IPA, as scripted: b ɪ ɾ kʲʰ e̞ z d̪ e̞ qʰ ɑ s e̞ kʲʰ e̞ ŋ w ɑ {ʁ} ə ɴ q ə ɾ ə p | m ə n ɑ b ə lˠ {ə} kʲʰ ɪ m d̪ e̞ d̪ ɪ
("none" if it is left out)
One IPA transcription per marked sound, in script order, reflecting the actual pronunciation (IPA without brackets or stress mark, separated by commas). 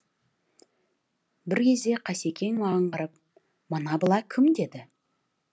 ʁ, ɑ